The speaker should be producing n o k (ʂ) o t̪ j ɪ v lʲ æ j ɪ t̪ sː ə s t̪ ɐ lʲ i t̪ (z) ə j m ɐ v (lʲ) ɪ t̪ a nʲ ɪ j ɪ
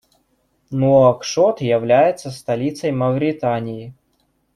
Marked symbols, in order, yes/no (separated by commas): yes, no, no